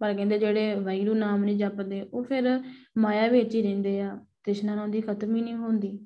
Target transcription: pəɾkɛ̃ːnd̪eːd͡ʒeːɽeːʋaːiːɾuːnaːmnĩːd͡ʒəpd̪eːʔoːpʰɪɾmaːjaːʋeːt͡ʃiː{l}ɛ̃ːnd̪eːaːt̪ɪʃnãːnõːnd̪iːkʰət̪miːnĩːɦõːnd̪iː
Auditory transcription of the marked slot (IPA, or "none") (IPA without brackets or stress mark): ɾ